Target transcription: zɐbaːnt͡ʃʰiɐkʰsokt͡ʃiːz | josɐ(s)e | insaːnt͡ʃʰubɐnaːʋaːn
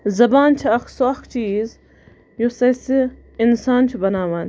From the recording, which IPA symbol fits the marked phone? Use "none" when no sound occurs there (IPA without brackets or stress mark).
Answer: s